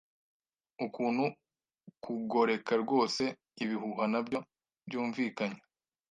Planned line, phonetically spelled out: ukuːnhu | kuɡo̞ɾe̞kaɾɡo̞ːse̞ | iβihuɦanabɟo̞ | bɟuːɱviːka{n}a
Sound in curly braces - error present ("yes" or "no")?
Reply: yes